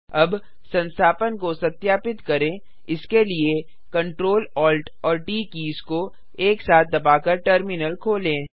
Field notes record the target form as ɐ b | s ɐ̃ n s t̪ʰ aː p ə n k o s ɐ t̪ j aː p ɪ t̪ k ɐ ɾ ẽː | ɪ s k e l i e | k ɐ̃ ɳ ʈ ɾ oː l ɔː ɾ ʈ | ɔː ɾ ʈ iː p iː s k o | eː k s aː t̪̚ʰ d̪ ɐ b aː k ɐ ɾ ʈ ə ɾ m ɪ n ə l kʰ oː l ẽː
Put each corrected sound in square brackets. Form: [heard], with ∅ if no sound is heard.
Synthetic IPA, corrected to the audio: ɐ b | s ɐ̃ n s t̪ʰ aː p ə n k o s ɐ t̪ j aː p ɪ t̪ k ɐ ɾ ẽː | ɪ s k e l i e | k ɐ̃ ɳ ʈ ɾ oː l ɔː [l] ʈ | ɔː ɾ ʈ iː [k] iː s k o | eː k s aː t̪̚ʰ d̪ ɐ b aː k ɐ ɾ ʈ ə ɾ m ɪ n ə l kʰ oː l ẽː